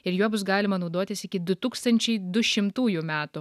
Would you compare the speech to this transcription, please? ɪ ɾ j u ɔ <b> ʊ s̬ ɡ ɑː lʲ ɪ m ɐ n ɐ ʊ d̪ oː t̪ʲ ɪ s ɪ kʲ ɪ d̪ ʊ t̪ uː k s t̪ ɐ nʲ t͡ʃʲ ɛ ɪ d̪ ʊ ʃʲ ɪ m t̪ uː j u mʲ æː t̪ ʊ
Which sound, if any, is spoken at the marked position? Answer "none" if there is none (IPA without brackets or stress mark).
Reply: b